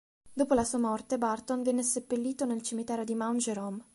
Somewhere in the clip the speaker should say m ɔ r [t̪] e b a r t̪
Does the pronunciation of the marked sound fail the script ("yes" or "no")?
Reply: no